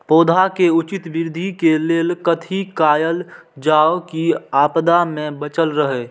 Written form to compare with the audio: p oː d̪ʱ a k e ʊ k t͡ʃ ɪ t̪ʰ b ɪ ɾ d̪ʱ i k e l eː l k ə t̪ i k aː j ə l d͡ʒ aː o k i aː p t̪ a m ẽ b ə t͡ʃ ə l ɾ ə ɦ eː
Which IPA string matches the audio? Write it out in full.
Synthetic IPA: p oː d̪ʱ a k e ʊ t͡ʃ ɪ t̪ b ɪ ɾ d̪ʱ i k e l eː l k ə t̪ʰ i k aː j ə l d͡ʒ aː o k i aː p d̪ a m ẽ b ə t͡ʃ ə l ɾ ə ɦ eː